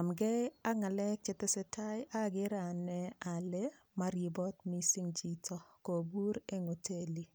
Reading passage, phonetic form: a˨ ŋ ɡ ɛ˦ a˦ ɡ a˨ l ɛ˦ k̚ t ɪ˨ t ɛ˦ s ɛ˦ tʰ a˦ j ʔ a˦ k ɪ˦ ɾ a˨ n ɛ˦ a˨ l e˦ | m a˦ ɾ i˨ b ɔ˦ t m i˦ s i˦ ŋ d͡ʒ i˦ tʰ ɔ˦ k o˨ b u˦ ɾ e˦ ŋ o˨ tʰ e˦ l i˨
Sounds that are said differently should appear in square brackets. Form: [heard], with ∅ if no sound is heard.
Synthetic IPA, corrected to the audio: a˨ [m] ɡ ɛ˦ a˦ [ŋ] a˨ l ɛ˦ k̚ [t͡ʃ] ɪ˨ t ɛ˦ s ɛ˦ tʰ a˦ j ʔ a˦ [ɡ] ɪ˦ ɾ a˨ n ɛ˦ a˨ l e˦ | m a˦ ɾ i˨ b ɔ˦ t m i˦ s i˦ ŋ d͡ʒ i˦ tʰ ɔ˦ k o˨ b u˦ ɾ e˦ ŋ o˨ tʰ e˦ l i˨

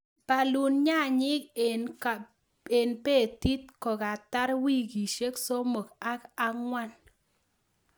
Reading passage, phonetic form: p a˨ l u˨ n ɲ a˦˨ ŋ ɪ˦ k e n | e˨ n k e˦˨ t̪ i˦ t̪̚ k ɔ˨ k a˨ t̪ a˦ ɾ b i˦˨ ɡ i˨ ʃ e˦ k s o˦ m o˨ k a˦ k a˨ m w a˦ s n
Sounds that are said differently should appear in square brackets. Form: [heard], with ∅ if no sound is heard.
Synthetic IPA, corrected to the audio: p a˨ l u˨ n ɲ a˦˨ [ɲ] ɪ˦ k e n | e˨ n [p] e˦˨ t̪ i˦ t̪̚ k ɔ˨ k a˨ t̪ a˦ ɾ [w] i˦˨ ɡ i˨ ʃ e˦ k s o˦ m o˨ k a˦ k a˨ [ŋ] w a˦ [∅] n

